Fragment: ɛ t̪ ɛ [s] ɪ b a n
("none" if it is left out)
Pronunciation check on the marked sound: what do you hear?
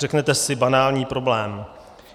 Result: s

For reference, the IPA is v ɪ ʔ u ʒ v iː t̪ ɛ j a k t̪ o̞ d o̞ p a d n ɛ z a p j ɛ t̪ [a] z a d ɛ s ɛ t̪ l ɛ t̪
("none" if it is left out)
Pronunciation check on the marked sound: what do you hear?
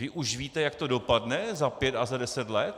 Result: a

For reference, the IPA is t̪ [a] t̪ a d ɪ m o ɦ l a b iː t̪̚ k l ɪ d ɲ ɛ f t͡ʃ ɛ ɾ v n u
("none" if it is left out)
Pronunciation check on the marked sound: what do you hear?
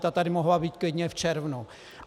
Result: a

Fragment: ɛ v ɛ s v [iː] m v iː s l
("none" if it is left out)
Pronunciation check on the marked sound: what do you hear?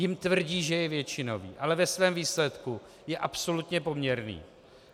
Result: ɛː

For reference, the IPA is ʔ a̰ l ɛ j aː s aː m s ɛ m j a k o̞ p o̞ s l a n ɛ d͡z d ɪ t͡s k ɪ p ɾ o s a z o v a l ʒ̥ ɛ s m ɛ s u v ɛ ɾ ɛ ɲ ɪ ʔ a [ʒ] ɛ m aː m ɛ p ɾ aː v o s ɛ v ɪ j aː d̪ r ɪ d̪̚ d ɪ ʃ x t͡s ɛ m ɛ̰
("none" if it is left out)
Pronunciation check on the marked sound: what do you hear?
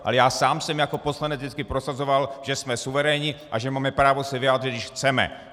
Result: ʒ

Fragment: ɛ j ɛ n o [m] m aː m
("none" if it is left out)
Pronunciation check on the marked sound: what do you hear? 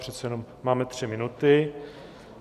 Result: m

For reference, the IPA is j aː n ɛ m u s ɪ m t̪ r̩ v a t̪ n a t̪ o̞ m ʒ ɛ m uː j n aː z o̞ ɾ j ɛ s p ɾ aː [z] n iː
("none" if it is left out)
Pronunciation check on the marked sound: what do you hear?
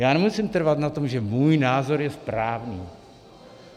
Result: v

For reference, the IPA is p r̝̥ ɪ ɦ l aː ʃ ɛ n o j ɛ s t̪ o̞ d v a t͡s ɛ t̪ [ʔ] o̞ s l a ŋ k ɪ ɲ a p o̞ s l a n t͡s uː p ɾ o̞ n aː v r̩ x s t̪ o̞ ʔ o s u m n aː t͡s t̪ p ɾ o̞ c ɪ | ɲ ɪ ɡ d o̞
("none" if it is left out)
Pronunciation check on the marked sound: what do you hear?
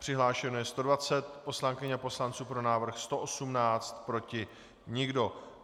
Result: p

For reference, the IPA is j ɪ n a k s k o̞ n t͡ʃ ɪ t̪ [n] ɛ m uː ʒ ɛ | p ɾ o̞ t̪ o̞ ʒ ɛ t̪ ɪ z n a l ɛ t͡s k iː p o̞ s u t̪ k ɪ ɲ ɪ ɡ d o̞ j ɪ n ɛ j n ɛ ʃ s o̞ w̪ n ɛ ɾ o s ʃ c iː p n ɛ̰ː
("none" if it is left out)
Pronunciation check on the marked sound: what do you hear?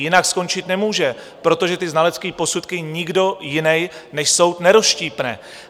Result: n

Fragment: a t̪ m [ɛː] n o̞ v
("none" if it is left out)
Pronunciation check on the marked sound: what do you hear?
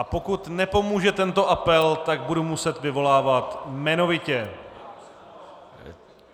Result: ɛ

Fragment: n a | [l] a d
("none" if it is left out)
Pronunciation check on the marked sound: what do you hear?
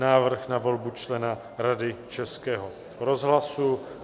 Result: ɾ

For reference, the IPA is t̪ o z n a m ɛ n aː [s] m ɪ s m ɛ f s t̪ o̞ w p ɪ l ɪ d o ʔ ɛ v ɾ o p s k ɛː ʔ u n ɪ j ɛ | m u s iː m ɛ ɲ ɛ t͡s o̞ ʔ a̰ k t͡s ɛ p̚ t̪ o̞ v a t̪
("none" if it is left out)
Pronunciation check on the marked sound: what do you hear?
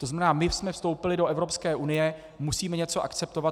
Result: none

